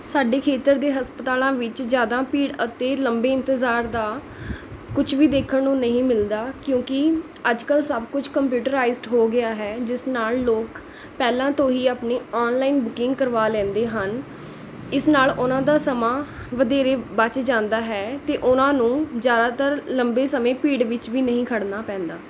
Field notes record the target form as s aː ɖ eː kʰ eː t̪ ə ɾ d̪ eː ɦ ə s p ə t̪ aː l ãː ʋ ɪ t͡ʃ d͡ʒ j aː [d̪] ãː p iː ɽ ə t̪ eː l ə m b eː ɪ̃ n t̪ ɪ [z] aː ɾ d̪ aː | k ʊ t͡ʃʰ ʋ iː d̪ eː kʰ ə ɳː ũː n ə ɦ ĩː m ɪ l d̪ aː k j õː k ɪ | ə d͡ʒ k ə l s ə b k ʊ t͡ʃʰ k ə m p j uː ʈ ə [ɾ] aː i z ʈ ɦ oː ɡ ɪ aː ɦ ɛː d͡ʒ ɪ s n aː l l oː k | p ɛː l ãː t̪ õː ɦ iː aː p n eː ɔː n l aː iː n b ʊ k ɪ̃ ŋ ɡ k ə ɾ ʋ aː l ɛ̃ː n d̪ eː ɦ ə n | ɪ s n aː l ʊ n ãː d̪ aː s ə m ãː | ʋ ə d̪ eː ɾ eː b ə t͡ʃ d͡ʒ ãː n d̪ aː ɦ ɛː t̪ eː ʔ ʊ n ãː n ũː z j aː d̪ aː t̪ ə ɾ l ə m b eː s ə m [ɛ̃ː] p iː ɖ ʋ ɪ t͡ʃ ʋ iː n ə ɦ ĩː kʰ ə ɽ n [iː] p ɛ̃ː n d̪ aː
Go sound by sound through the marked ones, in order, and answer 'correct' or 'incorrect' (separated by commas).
correct, correct, correct, incorrect, incorrect